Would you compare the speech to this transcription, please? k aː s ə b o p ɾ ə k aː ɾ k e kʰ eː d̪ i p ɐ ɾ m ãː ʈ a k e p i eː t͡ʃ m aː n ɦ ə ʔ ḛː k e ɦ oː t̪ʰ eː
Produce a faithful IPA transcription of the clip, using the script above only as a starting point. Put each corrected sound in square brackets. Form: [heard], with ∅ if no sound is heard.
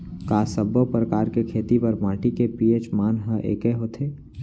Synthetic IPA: k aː s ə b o p ɾ ə k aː ɾ k e kʰ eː [t̪] i p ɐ ɾ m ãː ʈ [i] k e p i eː t͡ʃ m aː n ɦ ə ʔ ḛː k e ɦ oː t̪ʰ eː

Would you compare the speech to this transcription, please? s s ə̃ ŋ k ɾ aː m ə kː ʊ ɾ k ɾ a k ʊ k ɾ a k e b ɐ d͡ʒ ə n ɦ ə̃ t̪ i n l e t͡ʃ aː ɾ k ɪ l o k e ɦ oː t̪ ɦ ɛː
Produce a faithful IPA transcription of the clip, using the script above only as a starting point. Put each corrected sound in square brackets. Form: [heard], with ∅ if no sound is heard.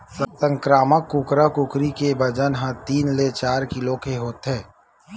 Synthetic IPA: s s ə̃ ŋ k ɾ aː m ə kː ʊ [∅] k ɾ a k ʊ k ɾ [i] k e b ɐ d͡ʒ ə n ɦ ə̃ t̪ [iː] n l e t͡ʃ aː ɾ k ɪ l o k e ɦ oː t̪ ɦ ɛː

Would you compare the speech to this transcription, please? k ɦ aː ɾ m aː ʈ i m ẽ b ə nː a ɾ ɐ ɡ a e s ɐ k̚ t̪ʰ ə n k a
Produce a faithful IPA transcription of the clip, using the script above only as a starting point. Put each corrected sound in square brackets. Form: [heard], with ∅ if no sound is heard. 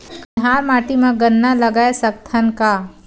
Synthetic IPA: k ɦ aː ɾ m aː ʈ i m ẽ [ɡ] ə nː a [l] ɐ ɡ a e s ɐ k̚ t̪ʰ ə n k a

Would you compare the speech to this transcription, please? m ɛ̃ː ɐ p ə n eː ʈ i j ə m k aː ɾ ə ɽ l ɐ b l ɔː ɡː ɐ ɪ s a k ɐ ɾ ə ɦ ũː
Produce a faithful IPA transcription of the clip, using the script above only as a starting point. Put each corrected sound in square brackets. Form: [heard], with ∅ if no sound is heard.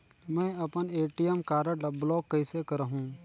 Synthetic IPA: m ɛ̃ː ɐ p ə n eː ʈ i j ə m k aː ɾ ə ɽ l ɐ b l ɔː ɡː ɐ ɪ s [e] k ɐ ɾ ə ɦ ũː

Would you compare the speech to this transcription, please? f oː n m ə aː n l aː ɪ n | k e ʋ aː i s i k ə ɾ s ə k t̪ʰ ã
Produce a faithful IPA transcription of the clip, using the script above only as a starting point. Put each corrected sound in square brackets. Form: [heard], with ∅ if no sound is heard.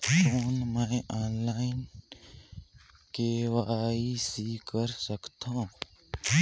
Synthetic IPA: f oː n m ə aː n l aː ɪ n | k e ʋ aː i s i k ə ɾ s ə k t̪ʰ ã

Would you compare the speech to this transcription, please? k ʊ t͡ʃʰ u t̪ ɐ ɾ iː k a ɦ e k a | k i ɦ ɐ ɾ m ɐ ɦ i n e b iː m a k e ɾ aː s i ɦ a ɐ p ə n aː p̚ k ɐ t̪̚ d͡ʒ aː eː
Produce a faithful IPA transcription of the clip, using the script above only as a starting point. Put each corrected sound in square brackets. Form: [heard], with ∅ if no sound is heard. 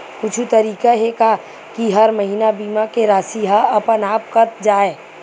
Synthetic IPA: k ʊ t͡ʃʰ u t̪ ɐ ɾ iː k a ɦ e k a | k i ɦ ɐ ɾ m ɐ ɦ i n [a] b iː m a k e ɾ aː s i ɦ a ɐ p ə n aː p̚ k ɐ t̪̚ d͡ʒ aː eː

